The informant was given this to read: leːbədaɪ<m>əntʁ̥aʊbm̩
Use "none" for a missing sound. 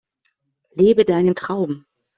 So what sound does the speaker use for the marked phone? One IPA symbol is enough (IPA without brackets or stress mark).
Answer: n